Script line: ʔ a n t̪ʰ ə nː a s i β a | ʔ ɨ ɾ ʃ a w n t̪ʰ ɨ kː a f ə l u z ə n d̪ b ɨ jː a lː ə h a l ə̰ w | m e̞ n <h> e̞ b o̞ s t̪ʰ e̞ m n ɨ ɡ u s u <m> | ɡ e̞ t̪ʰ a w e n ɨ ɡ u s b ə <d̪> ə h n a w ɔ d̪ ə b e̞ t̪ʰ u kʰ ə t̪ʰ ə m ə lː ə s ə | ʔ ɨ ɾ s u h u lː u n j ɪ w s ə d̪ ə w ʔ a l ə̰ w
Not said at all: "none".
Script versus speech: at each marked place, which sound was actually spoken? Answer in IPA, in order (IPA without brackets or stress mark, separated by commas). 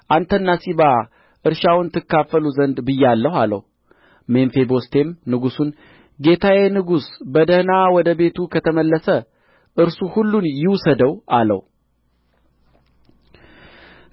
f, n, d̪